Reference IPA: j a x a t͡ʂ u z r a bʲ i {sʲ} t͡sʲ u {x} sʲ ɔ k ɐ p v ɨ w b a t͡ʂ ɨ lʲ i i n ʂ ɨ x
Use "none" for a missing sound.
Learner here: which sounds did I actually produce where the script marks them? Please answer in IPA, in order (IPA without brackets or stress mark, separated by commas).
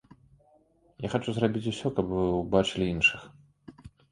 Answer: none, none